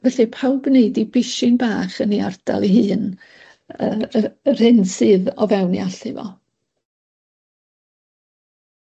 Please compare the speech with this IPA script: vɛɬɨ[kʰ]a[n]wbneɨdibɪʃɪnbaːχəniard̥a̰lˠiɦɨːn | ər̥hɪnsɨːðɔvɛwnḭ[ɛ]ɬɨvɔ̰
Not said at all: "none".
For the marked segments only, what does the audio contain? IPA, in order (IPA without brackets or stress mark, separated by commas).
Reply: pʰ, none, a